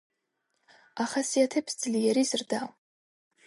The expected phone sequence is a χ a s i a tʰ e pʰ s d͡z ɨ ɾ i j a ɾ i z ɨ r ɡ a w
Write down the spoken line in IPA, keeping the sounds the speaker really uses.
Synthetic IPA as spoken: a χ a s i a tʰ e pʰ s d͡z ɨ l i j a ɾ i z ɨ r d a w